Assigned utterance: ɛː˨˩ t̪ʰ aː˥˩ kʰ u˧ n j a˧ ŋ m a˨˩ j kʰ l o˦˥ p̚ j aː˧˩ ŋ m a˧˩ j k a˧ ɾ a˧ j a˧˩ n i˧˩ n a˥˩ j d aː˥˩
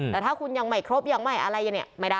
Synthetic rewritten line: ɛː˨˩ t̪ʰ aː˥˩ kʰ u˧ n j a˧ ŋ m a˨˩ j kʰ ɾ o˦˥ p̚ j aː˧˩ ŋ m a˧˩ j ʔ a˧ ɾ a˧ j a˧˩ n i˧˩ m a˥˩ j d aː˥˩